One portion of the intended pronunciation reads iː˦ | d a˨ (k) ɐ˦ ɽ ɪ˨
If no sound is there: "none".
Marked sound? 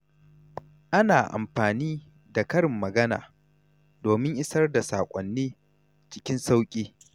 k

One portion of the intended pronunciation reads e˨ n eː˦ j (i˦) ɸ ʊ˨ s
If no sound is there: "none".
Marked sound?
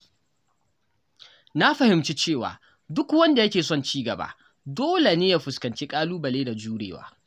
a˦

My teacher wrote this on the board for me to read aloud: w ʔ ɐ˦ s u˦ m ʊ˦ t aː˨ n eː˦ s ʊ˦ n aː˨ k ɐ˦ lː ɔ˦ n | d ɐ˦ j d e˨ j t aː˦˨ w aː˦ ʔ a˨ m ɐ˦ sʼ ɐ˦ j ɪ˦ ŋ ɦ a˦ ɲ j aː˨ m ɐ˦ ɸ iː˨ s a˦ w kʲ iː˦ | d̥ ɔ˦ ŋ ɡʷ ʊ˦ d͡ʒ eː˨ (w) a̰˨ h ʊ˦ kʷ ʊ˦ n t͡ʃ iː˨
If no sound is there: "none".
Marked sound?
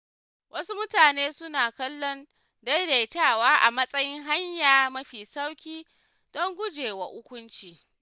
w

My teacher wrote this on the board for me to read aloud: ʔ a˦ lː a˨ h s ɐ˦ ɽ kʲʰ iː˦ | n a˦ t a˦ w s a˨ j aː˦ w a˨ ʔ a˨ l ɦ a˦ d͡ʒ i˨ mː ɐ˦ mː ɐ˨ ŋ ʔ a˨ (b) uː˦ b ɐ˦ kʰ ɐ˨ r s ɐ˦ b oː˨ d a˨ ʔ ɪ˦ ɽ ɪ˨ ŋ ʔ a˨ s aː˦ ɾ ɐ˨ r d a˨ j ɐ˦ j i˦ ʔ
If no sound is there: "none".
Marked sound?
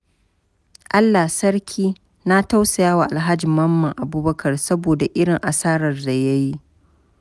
b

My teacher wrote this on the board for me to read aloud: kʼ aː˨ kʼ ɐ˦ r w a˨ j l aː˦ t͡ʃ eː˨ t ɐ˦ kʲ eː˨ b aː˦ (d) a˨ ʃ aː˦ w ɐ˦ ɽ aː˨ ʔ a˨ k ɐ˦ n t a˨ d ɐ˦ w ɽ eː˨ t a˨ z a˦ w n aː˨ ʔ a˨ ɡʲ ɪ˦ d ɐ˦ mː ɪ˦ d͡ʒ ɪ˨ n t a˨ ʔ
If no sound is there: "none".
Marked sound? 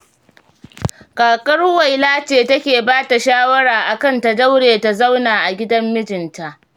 t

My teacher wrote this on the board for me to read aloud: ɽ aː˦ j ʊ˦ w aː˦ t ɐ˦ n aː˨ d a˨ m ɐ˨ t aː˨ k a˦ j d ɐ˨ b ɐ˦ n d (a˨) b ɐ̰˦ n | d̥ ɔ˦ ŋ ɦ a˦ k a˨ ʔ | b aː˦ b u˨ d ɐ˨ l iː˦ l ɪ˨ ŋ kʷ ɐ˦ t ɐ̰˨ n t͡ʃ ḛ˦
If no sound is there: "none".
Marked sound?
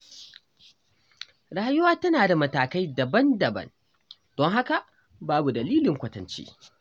ɐ˨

